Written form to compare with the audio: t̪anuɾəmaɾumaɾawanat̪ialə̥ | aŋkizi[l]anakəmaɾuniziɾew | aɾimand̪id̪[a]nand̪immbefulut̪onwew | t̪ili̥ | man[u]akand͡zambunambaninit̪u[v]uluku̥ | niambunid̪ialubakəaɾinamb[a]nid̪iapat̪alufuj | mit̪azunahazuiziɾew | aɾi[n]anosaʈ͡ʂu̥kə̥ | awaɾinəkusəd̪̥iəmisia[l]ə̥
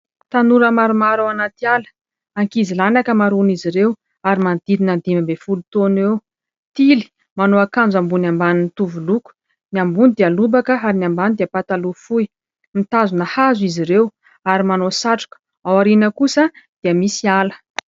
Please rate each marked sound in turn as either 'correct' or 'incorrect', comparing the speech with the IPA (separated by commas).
correct, incorrect, incorrect, correct, correct, incorrect, correct